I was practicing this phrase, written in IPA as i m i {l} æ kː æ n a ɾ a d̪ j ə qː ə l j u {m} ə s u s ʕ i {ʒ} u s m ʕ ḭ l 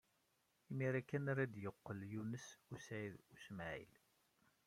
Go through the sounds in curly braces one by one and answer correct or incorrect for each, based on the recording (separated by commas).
incorrect, incorrect, incorrect